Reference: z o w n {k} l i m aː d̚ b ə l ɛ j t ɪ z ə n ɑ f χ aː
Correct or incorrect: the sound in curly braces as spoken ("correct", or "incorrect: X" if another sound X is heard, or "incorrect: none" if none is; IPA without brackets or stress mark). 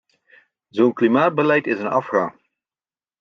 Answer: correct